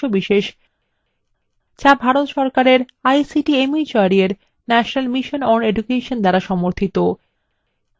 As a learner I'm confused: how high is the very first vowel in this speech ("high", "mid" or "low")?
mid